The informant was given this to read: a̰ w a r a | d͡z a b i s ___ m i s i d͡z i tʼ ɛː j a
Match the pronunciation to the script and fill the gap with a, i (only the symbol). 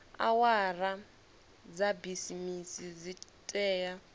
i